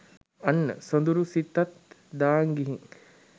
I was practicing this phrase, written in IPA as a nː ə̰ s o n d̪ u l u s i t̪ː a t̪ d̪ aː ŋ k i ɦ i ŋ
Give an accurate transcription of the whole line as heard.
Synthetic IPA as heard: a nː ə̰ s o n d̪ u ɾ u s i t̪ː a t̪ d̪ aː ŋ ɡ i ɦ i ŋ